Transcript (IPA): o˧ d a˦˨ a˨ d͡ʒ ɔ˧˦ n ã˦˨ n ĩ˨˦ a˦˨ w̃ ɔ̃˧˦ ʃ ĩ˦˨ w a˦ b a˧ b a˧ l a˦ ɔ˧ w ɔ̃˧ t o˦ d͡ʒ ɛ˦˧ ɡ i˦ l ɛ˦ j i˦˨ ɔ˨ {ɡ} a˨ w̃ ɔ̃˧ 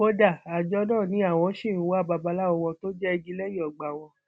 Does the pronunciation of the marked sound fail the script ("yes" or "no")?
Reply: yes